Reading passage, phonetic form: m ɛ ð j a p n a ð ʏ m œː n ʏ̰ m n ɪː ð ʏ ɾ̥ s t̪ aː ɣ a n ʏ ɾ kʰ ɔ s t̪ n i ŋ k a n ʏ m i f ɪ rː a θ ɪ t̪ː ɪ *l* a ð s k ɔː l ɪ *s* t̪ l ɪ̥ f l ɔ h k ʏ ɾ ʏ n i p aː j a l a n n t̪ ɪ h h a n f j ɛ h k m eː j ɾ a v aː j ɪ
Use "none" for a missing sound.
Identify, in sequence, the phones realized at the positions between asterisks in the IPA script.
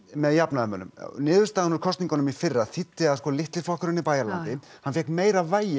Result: none, h

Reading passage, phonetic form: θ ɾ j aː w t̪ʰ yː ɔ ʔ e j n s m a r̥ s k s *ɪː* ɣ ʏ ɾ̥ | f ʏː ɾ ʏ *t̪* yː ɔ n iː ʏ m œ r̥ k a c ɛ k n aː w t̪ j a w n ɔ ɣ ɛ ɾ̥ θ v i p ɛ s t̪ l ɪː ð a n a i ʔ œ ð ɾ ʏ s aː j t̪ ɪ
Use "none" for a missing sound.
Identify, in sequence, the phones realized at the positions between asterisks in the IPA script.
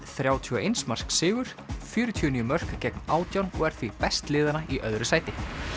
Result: ɪː, t̪ʰ

